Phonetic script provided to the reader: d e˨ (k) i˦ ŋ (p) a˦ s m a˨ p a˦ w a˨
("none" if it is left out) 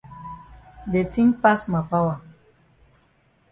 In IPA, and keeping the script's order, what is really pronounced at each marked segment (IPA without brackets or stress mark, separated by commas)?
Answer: t, p